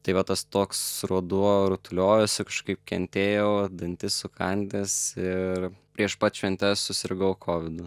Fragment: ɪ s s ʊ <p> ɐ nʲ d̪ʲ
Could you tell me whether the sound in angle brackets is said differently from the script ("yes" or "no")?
yes